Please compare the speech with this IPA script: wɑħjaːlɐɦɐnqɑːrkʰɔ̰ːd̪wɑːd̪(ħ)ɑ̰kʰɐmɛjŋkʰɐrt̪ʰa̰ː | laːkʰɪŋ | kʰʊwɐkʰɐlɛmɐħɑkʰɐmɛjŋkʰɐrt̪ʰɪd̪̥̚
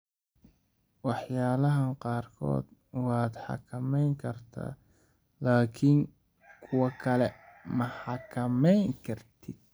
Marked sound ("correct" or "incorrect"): correct